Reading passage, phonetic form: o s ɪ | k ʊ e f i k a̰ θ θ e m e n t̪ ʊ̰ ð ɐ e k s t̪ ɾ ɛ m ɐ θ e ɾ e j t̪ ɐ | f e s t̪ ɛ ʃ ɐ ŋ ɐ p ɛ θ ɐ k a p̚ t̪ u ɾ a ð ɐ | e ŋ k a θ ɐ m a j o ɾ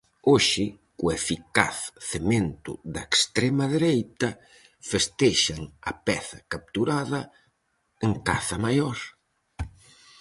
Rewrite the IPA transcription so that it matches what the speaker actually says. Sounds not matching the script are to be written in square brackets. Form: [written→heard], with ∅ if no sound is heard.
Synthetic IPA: o [s→ʃ] ɪ | k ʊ e f i k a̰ θ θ e m e n t̪ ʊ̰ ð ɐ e k s t̪ ɾ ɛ m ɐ [θ→ð] e ɾ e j t̪ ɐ | f e s t̪ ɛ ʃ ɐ ŋ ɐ p ɛ θ ɐ k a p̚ t̪ u ɾ a ð ɐ | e ŋ k a θ ɐ m a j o ɾ